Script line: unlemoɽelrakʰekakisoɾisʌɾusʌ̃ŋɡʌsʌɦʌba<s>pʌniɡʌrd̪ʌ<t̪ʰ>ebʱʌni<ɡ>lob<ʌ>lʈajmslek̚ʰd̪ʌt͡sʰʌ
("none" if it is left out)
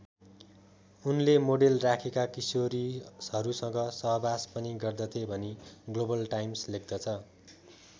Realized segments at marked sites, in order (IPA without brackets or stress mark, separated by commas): s, t̪ʰ, ɡ, ʌ